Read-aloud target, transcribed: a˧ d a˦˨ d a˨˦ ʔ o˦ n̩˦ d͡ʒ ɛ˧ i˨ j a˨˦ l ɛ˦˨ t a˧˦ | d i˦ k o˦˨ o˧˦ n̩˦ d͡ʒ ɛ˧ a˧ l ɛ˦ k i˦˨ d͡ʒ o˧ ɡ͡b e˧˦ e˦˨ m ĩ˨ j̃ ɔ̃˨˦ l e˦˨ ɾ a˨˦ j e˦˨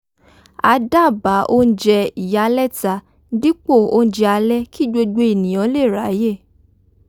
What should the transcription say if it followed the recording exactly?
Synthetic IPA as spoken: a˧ d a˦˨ b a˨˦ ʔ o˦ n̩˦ d͡ʒ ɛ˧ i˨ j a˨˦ l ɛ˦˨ t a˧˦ | d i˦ k͡p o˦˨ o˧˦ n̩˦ d͡ʒ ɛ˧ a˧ l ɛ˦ k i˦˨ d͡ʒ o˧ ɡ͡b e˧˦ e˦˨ n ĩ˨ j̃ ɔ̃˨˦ l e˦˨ ɾ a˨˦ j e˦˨

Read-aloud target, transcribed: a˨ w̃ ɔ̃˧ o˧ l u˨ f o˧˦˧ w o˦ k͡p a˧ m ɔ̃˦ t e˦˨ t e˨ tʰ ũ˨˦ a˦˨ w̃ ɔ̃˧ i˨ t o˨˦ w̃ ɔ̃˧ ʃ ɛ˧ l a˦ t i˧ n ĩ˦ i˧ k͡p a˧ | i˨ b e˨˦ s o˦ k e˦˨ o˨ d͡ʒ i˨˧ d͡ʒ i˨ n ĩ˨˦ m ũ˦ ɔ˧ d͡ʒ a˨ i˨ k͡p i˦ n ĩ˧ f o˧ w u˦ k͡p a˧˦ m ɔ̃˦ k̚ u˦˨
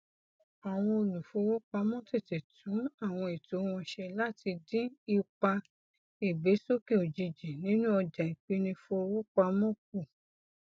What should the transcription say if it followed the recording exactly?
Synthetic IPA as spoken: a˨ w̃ ɔ̃˧ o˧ l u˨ f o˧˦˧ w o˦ k͡p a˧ m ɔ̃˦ t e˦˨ t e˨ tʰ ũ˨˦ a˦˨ w̃ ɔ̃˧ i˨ t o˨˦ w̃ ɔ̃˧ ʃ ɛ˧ l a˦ t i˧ d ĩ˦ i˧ k͡p a˧ | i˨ b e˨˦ s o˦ k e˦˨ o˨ d͡ʒ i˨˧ d͡ʒ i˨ n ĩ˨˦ n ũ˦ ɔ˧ d͡ʒ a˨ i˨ k͡p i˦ n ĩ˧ f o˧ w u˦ k͡p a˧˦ m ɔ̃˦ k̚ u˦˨

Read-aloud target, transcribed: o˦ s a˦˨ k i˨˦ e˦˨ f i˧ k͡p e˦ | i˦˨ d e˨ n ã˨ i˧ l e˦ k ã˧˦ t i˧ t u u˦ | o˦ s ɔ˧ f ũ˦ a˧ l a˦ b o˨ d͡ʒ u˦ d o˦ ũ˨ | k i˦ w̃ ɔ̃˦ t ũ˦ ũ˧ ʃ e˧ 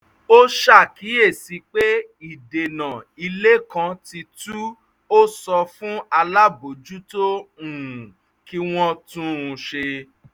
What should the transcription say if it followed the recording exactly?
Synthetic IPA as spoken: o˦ ʃ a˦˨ k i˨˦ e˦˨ s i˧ k͡p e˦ | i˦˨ d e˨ n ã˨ i˧ l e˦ k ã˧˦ t i˧ t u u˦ | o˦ s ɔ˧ f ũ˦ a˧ l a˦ b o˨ d͡ʒ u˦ t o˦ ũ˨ | k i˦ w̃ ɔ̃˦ t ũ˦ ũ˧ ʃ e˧

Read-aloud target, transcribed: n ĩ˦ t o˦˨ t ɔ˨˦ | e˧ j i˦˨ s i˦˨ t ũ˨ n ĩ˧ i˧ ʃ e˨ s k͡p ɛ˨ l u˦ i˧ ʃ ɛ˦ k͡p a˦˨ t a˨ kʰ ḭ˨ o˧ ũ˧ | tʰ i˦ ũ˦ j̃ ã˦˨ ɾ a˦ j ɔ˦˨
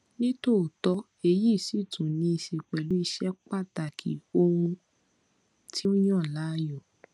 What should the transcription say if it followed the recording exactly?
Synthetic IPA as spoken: n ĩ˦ t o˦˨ t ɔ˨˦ | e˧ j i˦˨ s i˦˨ t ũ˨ n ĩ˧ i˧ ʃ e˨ k͡p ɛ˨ l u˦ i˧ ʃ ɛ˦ k͡p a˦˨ t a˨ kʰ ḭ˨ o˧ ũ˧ | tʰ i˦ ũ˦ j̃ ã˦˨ l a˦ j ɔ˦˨

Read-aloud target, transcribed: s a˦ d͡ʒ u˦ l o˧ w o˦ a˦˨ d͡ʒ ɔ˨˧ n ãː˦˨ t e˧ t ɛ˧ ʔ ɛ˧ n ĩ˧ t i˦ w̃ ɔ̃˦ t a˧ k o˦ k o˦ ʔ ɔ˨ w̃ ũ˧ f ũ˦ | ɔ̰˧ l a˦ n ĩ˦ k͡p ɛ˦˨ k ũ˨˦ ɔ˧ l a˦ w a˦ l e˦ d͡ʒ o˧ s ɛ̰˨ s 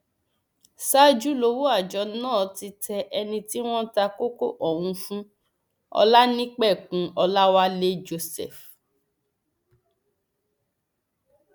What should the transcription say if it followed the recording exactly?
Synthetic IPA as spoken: s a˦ d͡ʒ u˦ l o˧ w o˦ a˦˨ d͡ʒ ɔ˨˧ n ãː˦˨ t i˧ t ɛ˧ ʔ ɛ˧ n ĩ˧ t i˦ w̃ ɔ̃˦ t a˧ k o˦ k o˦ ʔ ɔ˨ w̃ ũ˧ f ũ˦ | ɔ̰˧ l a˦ n ĩ˦ k͡p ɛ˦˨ k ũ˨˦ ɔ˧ l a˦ w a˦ l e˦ d͡ʒ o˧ s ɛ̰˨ f

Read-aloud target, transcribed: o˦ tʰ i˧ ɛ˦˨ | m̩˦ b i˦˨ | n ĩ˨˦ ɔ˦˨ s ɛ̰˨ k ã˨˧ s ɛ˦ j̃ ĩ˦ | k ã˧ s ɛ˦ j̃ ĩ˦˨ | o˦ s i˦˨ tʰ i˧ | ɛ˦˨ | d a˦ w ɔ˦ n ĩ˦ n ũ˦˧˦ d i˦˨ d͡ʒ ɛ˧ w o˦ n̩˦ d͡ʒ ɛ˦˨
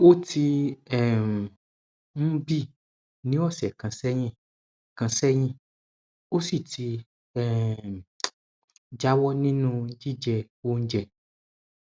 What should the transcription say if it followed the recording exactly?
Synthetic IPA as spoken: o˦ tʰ i˧ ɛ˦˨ | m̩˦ b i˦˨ | n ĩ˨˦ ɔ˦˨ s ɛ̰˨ k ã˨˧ s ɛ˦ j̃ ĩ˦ | k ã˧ s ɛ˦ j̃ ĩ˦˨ | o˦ s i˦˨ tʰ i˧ | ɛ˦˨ | d͡ʒ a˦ w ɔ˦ n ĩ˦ n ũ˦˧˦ d͡ʒ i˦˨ d͡ʒ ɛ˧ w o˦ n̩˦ d͡ʒ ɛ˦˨

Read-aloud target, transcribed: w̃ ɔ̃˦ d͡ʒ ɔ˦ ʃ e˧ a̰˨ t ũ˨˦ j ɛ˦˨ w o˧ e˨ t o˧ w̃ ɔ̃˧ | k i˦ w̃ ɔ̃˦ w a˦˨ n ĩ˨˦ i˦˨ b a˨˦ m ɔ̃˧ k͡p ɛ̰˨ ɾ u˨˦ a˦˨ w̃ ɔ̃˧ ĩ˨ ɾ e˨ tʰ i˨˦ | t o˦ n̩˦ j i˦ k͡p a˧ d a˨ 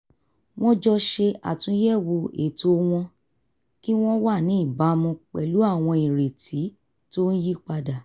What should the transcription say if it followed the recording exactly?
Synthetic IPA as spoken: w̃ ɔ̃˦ d͡ʒ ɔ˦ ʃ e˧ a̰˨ t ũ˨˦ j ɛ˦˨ w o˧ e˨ t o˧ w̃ ɔ̃˧ | k i˦ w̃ ɔ̃˦ w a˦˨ n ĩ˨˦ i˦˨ b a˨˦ m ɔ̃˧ k͡p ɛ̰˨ l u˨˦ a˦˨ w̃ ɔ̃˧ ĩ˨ ɾ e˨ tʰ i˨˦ | t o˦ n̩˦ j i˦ k͡p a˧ d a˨

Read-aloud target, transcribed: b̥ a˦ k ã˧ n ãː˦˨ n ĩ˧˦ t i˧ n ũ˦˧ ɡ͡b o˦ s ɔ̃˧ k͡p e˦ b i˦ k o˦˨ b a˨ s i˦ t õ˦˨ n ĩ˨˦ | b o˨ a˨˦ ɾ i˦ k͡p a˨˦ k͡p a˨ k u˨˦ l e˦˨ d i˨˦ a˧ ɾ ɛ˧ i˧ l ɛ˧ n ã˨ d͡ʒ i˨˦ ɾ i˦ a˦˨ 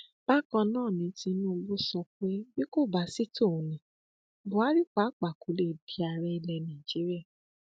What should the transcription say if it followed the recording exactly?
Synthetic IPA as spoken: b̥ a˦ k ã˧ n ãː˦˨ n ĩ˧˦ t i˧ n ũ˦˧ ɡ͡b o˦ s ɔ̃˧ k͡p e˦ b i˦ k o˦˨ b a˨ s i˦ t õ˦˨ n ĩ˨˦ | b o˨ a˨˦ ɾ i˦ k͡p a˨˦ k͡p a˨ k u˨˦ l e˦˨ d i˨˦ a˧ ɾ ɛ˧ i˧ l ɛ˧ n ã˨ d͡ʒ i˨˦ ɾ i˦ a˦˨

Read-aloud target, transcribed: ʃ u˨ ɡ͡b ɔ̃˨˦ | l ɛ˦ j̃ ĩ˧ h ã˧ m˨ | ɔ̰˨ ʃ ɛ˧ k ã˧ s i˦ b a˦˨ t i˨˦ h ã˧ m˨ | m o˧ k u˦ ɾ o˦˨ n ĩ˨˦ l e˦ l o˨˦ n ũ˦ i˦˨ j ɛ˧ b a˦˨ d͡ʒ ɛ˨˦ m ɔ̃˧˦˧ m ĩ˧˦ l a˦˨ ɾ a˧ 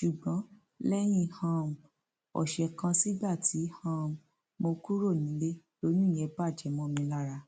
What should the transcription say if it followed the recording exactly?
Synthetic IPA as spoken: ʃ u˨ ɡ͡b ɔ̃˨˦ | l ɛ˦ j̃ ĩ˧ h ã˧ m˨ | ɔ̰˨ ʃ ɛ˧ k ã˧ s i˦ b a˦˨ t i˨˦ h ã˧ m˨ | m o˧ k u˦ ɾ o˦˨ n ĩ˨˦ l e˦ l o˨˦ n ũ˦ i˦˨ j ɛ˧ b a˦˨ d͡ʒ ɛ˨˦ m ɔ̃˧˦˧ m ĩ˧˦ l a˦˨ ɾ a˧

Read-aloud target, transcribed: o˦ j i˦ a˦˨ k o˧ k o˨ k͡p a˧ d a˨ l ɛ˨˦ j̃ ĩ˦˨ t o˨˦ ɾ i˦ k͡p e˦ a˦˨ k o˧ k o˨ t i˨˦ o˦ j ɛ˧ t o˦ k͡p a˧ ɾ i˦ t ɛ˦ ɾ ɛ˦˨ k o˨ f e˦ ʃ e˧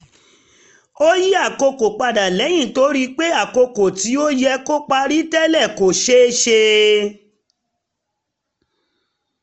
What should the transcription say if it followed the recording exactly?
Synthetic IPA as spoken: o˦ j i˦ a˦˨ k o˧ k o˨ k͡p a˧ d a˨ l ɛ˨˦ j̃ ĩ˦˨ t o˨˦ ɾ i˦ k͡p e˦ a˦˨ k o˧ k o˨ t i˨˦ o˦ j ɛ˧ k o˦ k͡p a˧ ɾ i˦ t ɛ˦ l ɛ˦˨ k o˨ ʃ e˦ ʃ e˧

